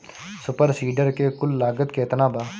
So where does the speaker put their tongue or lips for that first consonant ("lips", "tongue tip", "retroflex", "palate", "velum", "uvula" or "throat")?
tongue tip